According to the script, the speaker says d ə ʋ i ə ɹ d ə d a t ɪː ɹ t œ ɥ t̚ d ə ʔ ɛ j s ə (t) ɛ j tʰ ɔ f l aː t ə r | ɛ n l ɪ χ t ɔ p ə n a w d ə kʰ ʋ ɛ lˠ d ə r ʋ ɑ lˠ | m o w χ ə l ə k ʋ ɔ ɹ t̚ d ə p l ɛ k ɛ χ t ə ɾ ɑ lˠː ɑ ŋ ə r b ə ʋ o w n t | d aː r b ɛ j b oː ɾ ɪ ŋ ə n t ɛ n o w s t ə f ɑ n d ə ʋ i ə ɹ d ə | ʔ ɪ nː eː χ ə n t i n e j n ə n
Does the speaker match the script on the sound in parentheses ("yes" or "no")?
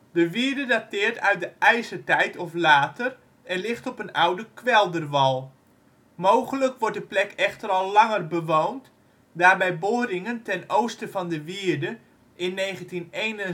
yes